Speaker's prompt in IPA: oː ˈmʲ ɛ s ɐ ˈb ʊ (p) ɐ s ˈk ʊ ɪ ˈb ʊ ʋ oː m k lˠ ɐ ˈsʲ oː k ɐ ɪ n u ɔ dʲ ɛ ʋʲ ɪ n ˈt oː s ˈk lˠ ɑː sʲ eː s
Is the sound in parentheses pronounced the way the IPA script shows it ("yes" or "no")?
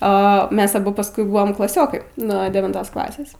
yes